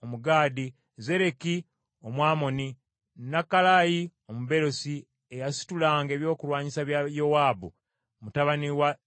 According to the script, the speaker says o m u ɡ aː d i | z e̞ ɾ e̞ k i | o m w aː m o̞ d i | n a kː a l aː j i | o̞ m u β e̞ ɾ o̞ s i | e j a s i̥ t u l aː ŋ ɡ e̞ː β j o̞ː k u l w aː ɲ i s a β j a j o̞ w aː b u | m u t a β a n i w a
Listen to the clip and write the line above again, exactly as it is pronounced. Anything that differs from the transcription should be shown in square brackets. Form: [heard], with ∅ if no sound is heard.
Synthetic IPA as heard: o m u ɡ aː d i | z e̞ ɾ e̞ k i | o m w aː m o̞ [n] i | n a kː a l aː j i | o̞ m u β e̞ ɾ o̞ s i | e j a s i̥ t u l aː ŋ ɡ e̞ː β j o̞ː k u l w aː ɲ i s a β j a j o̞ w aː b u | m u t a β a n i w a